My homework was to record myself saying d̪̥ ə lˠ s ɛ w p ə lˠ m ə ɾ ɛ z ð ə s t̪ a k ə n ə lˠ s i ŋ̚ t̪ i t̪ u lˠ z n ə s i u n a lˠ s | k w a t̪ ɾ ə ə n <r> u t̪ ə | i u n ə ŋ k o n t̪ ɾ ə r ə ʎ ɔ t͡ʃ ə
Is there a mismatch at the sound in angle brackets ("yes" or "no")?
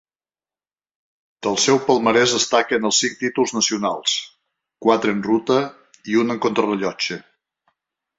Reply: no